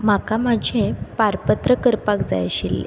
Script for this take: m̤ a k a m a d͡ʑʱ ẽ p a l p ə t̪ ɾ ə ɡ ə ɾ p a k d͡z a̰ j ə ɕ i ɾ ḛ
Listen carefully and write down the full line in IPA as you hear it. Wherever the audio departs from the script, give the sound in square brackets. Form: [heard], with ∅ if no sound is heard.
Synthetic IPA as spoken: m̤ a k a m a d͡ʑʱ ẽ p a [ɾ] p ə t̪ ɾ ə [k] ə ɾ p a k d͡z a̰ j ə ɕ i [l] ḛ